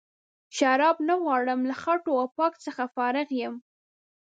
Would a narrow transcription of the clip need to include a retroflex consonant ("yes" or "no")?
yes